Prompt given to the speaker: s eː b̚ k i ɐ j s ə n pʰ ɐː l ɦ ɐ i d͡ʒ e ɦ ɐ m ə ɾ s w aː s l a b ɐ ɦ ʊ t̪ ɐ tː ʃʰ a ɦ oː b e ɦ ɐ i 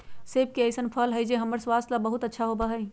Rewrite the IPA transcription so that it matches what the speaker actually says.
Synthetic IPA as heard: s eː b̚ k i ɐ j s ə n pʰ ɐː l ɦ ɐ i d͡ʒ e ɦ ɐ m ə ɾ s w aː s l a b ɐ ɦ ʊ t̪ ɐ tː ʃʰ a ɦ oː b a ɦ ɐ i